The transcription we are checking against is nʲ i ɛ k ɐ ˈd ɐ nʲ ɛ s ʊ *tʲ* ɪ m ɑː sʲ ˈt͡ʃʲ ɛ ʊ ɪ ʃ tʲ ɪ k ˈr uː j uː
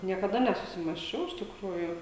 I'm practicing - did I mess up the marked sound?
yes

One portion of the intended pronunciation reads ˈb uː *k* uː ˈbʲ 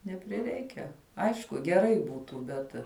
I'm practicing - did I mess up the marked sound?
yes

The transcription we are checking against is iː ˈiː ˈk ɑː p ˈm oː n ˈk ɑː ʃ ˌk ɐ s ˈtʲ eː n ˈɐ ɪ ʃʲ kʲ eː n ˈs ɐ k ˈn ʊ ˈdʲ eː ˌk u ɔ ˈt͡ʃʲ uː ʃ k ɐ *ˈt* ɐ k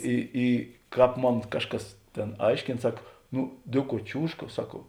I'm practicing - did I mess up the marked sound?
yes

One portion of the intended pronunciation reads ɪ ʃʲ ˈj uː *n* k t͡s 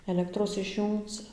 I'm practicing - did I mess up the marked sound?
yes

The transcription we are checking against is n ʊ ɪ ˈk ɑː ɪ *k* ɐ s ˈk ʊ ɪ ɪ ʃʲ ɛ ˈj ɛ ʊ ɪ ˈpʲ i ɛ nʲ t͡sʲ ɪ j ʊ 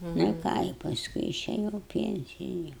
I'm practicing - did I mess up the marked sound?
yes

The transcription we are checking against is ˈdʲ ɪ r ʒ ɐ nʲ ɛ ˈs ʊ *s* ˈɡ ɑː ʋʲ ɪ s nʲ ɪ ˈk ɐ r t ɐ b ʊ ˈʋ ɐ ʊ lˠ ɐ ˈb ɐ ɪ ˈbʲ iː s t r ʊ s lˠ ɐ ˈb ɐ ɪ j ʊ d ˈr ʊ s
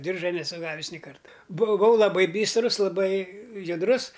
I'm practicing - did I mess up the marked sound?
yes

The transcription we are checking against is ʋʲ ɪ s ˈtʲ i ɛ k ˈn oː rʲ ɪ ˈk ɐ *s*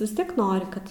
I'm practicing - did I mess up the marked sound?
yes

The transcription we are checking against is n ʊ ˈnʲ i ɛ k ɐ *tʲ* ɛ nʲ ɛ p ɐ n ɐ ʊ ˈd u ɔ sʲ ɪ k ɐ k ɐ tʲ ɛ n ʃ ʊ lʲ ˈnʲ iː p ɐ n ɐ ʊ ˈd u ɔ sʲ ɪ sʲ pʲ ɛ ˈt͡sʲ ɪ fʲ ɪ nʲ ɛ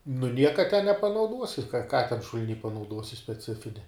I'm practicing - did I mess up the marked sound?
no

